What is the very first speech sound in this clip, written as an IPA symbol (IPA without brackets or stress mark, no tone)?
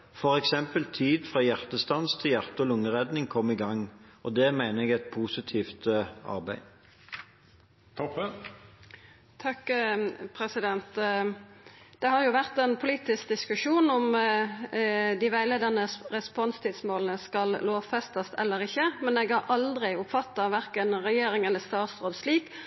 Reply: f